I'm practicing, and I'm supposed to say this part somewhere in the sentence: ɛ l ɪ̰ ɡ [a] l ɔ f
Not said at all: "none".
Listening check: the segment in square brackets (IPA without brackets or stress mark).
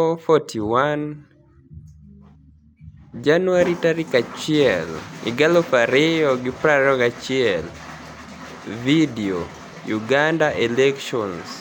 a